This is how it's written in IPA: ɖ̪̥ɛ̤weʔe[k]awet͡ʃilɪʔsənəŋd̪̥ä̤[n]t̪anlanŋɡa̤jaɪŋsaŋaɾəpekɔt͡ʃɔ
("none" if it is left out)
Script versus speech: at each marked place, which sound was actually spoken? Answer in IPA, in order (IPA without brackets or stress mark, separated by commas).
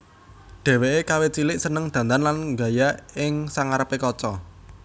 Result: k, n